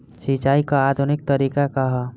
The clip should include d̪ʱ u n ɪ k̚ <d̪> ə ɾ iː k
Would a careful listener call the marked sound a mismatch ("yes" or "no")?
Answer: yes